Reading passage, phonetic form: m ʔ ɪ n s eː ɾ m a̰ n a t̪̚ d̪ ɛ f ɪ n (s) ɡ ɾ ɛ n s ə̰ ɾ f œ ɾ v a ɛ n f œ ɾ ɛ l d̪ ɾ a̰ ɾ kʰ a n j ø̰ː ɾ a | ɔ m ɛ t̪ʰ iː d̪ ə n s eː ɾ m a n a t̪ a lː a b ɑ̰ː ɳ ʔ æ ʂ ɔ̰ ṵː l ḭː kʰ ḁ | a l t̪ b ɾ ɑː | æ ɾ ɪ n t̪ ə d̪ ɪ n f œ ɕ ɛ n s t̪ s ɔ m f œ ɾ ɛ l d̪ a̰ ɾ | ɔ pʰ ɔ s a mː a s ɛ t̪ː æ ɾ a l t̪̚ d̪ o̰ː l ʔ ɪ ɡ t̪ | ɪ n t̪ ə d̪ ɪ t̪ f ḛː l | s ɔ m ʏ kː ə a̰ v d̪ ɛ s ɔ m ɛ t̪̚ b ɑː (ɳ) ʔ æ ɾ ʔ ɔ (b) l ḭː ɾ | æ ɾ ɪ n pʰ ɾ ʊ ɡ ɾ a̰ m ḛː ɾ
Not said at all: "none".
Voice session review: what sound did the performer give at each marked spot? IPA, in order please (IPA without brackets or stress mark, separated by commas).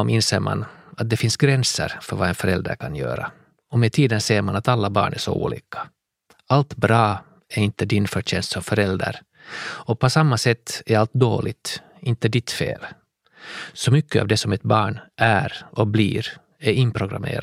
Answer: s, ɳ, b